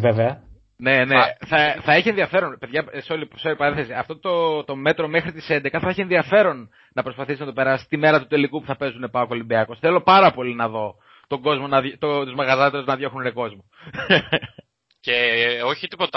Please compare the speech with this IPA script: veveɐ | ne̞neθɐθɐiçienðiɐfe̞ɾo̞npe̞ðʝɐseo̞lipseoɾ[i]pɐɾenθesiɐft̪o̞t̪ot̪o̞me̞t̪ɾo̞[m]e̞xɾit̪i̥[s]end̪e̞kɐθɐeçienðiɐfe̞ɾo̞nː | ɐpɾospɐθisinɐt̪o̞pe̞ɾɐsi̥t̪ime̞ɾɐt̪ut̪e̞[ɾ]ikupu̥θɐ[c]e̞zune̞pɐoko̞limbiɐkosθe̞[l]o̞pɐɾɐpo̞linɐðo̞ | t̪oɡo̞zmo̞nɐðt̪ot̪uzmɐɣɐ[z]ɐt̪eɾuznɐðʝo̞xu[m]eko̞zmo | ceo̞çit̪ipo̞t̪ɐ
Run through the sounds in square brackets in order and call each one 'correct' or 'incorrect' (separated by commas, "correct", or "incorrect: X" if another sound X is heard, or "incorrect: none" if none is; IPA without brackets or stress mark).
correct, correct, correct, incorrect: l, incorrect: p, correct, correct, incorrect: n